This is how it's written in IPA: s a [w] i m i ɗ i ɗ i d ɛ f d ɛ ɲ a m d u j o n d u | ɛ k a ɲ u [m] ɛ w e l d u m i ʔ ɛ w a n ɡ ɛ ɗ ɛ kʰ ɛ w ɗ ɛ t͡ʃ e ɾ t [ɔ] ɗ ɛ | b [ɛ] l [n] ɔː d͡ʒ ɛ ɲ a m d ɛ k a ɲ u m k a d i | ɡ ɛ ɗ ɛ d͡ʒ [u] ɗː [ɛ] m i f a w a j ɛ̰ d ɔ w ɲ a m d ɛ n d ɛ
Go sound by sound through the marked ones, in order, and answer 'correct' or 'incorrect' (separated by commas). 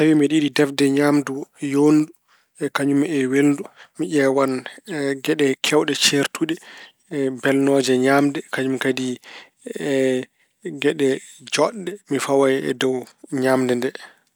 correct, correct, incorrect, correct, correct, incorrect, correct